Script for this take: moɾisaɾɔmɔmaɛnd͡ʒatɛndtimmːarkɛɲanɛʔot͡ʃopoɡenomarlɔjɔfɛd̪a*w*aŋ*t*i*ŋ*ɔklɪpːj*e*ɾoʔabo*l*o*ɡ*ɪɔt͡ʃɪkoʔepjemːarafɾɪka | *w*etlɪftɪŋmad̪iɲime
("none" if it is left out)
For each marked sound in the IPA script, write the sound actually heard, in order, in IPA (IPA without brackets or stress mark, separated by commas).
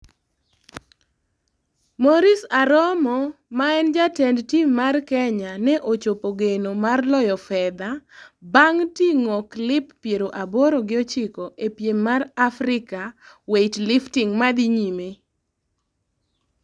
b, t, ŋ, e, ɾ, ɡ, w